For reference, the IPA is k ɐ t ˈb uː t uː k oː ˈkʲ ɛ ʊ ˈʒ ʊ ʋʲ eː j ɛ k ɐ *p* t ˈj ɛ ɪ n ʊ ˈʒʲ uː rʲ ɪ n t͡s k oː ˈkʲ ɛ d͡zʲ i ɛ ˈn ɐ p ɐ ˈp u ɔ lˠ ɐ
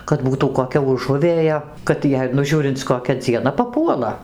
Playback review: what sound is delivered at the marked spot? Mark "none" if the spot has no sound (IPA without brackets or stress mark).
none